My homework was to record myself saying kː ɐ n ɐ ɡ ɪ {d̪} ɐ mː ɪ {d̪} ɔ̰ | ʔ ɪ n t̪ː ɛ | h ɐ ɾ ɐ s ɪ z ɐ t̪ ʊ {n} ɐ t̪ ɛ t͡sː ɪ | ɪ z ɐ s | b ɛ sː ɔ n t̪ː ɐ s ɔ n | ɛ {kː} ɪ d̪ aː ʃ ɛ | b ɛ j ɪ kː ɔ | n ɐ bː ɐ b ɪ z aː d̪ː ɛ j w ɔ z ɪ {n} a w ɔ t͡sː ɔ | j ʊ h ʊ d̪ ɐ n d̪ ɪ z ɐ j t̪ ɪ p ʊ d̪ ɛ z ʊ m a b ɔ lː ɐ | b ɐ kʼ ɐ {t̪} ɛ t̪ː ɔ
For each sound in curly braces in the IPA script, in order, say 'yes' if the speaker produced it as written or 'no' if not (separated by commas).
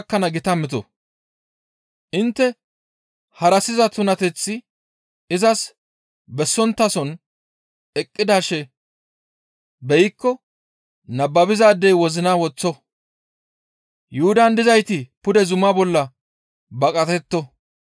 no, no, yes, no, yes, yes